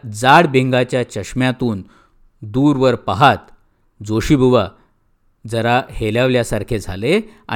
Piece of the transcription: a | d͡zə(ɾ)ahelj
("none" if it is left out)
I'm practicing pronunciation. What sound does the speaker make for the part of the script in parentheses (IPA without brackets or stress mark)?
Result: ɾ